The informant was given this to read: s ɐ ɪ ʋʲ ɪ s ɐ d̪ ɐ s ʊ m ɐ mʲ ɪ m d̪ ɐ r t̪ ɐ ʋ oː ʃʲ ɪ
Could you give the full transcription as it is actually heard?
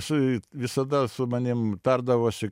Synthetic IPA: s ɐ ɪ ʋʲ ɪ s ɐ d̪ ɐ s ʊ m ɐ nʲ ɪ m t̪ ɐ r d̪ ɐ ʋ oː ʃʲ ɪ